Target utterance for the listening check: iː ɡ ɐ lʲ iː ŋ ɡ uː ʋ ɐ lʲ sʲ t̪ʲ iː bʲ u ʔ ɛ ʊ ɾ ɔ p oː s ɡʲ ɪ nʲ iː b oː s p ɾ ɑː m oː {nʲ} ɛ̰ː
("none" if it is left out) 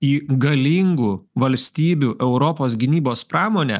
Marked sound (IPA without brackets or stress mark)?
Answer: nʲ